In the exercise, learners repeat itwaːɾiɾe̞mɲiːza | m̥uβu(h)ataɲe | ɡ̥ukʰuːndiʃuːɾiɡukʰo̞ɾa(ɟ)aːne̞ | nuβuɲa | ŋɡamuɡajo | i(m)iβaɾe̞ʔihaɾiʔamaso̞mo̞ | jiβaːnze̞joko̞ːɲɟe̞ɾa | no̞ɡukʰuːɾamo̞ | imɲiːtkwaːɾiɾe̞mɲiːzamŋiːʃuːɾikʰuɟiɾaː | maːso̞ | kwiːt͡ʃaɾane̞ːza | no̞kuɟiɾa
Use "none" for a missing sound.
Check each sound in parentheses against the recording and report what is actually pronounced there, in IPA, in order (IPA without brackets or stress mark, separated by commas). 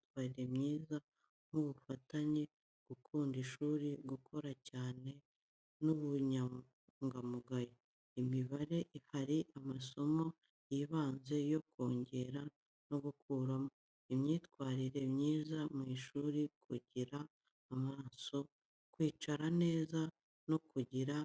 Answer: f, c, m